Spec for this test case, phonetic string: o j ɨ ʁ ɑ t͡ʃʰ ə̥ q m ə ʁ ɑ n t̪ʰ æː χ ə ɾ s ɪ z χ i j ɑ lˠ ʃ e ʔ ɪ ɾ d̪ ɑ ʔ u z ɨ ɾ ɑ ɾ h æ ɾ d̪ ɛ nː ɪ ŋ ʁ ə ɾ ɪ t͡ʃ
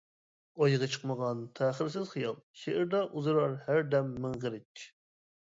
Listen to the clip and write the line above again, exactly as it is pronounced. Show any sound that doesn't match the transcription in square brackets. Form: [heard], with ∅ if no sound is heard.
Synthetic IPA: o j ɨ ʁ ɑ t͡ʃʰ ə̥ q m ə ʁ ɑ n t̪ʰ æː χ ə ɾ s ɪ z χ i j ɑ lˠ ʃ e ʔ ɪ ɾ d̪ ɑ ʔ u z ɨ ɾ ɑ ɾ h æ ɾ d̪ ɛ [mː] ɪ ŋ ʁ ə ɾ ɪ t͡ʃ